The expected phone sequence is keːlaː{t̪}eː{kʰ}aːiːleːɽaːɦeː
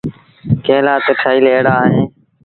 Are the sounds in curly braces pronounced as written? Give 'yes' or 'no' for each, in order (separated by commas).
yes, no